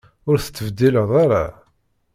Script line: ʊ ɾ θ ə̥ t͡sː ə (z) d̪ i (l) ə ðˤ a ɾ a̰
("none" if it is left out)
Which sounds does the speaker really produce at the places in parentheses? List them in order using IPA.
v, l

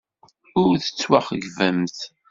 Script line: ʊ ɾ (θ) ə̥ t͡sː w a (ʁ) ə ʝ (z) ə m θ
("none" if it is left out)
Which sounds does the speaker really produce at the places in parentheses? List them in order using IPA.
θ, χ, v

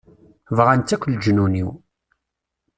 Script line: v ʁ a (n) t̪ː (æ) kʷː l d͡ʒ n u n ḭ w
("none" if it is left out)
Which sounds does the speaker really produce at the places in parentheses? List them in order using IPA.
n, æ

